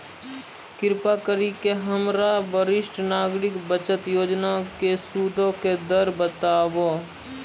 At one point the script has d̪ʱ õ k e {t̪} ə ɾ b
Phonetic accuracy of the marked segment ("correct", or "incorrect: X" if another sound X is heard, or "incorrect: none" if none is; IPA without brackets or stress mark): incorrect: d̪